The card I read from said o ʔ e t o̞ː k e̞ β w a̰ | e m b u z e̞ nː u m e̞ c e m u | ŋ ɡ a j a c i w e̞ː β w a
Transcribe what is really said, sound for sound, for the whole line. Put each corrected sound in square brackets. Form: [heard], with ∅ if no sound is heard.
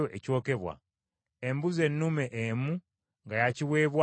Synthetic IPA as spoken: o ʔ e [c] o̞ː k e̞ β w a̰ | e m b u z e̞ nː u m e̞ [ʔ] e m u | ŋ ɡ a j a c i w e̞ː β w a